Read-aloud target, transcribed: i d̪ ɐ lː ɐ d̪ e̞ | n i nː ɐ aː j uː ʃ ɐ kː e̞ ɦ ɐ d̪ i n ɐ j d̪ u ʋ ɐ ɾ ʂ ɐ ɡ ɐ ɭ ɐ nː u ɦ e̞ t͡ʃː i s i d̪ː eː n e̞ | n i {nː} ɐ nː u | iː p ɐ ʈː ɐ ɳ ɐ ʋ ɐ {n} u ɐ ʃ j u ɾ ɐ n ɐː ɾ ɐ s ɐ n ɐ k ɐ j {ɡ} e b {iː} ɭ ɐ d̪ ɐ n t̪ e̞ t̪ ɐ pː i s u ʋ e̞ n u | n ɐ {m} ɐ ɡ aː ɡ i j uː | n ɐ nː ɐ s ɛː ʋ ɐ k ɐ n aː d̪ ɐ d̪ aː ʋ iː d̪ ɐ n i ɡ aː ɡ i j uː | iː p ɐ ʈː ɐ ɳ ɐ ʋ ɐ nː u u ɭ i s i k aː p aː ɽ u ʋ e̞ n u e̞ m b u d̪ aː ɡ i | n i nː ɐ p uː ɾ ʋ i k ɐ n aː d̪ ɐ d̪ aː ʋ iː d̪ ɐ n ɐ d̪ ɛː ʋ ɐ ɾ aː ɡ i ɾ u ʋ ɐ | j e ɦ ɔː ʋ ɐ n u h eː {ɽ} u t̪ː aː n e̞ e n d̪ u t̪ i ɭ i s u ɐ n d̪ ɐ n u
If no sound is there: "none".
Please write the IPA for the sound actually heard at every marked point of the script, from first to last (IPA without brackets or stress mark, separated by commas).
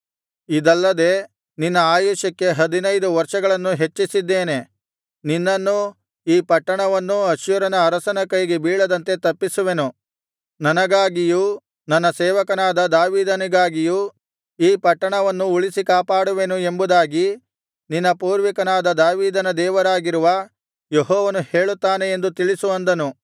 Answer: nː, nː, ɡ, iː, n, ɭ